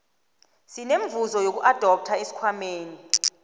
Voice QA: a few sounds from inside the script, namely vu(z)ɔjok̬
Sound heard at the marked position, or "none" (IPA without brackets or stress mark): z